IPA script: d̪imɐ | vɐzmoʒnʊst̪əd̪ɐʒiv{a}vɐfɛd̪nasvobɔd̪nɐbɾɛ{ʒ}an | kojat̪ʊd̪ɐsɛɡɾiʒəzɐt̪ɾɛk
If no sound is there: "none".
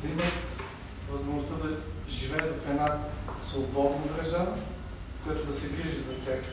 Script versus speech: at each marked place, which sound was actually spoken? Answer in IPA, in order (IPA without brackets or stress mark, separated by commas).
ɛ, ʒ